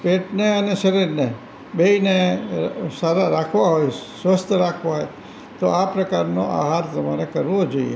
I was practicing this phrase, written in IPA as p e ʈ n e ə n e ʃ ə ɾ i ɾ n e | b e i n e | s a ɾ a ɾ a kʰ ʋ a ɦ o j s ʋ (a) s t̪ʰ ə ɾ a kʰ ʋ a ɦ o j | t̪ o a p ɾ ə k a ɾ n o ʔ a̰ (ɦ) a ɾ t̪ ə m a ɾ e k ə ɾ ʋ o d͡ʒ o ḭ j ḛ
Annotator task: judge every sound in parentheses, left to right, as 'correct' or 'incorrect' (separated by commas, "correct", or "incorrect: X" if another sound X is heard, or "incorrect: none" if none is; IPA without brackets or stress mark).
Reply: incorrect: ə, correct